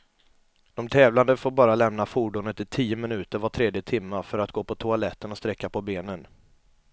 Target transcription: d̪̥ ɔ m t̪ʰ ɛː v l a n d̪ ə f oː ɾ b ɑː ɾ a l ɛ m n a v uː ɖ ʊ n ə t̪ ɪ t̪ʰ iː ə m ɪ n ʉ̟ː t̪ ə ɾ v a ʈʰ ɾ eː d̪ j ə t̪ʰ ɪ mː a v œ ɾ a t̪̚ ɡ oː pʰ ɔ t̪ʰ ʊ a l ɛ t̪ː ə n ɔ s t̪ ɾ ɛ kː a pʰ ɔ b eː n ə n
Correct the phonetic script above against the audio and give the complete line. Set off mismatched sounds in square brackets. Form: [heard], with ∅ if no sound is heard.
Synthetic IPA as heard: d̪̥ ɔ m t̪ʰ ɛː v l a n d̪ ə f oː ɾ b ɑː ɾ a l ɛ m n a [f] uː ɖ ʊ n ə t̪ ɪ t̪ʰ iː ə m ɪ n ʉ̟ː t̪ ə ɾ v a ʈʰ ɾ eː d̪ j ə t̪ʰ ɪ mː a [f] œ ɾ a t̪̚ ɡ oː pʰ ɔ t̪ʰ ʊ a l ɛ t̪ː ə n ɔ s t̪ ɾ ɛ kː a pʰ ɔ b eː n ə n